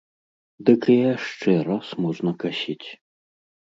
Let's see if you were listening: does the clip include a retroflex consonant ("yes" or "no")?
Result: yes